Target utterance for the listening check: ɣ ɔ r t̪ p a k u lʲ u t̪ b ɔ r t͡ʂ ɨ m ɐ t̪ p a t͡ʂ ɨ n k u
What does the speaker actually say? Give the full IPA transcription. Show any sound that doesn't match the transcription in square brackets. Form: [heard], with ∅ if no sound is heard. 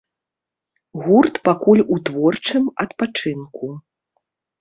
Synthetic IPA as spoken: ɣ [u] r t̪ p a k u lʲ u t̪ [v] ɔ r t͡ʂ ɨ m ɐ t̪ p a t͡ʂ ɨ n k u